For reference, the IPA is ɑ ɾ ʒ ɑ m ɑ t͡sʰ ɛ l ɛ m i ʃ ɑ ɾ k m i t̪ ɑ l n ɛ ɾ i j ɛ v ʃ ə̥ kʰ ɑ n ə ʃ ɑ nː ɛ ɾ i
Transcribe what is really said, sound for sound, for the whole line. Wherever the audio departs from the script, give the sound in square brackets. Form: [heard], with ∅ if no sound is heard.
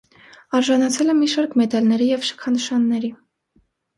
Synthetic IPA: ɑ ɾ ʒ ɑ [n] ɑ t͡sʰ ɛ l ɛ m i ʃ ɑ ɾ k m [ɛ] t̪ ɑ l n ɛ ɾ i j ɛ v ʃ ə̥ kʰ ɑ n ə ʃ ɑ nː ɛ ɾ i